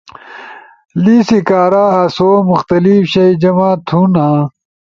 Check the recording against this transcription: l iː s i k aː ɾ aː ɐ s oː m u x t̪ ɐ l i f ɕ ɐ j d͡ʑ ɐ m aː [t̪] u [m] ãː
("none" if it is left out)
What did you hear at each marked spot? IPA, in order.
t̪ʰ, n

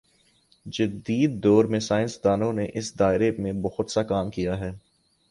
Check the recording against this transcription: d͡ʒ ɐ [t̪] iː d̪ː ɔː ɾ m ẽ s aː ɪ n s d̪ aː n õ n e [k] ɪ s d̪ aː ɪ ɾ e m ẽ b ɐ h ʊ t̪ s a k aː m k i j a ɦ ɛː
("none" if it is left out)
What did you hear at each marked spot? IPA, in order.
d̪, ʔ

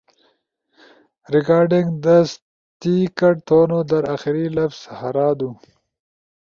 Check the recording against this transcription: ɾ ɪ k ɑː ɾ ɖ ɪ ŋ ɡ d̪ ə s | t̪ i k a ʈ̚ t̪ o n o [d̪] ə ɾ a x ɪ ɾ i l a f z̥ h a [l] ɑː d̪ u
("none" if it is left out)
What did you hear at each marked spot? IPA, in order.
d̪, ɾ

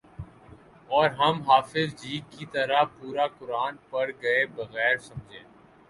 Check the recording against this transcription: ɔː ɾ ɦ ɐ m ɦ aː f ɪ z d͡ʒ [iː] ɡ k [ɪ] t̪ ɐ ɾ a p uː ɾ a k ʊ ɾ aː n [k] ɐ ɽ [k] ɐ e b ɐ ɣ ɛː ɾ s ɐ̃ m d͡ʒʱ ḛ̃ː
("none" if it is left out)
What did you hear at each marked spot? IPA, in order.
iː, i, p, ɡ

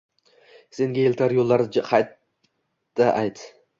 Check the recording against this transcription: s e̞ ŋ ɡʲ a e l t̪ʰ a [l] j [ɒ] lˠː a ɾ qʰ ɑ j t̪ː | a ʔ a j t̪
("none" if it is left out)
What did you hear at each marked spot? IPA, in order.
ɾ, o

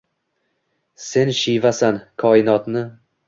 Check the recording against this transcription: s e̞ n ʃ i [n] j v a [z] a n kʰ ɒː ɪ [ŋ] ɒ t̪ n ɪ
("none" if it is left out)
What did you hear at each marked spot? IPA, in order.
none, s, n

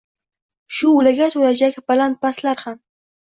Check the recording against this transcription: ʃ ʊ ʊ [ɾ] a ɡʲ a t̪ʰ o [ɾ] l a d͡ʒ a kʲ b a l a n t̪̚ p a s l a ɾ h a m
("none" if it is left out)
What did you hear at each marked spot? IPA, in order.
l, none

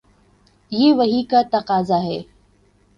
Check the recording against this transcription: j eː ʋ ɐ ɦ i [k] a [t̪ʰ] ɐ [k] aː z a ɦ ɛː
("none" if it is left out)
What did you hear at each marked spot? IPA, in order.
k, t̪, q

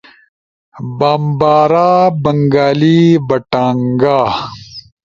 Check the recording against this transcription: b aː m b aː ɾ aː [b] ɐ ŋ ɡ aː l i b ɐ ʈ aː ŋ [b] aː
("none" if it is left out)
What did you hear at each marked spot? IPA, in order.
b, ɡ

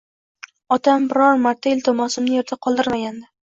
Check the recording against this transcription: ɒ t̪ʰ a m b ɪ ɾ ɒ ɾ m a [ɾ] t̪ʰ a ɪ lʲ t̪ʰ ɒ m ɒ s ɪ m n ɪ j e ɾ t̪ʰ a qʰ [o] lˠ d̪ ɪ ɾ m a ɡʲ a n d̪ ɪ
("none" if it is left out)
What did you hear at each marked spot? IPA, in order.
ɾ, ɒ

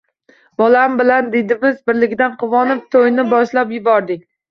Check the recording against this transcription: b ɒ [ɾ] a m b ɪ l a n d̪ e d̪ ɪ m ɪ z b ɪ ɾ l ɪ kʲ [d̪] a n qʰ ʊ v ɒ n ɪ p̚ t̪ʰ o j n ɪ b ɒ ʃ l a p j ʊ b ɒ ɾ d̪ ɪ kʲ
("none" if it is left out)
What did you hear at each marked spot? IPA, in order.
l, d̪

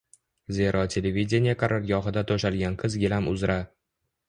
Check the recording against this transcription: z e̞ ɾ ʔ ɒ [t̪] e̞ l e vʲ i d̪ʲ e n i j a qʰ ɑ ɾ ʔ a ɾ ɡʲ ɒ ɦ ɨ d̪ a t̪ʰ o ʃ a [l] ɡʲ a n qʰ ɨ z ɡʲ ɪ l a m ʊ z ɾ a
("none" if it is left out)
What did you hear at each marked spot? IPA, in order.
t̪ʰ, l

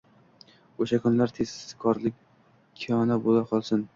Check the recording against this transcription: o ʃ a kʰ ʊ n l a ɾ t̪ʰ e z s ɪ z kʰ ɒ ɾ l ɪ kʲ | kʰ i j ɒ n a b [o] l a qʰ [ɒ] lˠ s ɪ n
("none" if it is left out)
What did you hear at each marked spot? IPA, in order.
o, ɒ

